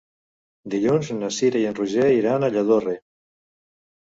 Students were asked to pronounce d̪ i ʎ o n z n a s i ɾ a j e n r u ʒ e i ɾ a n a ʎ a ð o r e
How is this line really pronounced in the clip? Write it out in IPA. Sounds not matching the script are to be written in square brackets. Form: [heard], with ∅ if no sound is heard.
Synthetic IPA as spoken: d̪ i ʎ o n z n a s i ɾ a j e n r u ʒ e i ɾ a n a ʎ a ð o r e